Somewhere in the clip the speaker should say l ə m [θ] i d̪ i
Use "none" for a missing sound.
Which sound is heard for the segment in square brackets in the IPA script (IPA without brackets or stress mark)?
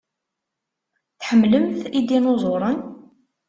θ